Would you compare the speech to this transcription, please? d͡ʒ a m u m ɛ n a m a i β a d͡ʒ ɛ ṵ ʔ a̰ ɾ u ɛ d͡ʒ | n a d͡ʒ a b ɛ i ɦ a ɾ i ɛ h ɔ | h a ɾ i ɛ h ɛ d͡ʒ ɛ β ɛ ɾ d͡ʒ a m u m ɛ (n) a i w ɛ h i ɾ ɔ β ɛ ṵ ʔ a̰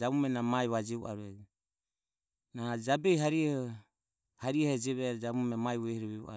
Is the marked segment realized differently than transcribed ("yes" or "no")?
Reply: yes